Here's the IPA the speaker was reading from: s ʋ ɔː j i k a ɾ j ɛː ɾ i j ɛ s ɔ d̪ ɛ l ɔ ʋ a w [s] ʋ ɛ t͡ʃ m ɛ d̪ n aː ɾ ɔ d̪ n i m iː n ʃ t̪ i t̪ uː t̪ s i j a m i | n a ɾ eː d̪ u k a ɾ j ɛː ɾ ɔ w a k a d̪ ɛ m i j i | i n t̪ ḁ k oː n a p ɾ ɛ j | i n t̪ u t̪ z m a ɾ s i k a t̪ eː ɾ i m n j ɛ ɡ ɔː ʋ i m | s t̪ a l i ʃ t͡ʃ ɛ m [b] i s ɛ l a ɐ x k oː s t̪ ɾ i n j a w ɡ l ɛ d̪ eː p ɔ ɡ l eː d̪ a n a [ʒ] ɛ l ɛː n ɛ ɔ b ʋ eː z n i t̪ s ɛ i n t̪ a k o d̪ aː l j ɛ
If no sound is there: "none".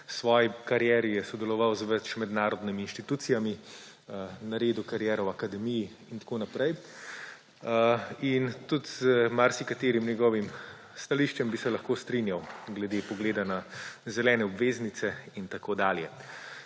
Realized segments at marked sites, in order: z, b, z

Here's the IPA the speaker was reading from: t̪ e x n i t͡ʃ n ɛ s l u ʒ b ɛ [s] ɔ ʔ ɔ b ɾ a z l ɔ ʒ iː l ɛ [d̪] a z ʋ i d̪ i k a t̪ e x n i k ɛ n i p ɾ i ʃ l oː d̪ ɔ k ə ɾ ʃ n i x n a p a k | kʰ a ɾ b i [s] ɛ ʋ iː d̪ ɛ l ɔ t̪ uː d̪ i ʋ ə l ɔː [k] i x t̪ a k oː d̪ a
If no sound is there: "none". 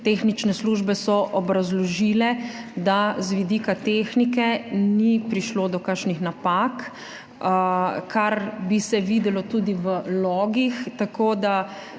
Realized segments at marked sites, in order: s, d̪, s, ɡ

